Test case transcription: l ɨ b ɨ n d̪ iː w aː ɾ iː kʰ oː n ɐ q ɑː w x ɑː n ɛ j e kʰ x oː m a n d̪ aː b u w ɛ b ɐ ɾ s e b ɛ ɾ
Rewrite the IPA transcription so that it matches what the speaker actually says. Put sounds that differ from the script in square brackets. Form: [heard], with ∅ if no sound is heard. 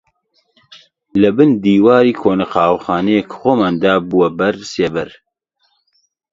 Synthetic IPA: l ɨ b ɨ n d̪ iː w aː ɾ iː kʰ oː n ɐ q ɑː w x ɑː n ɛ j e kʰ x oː m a n d̪ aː b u w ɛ b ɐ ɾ s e b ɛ ɾ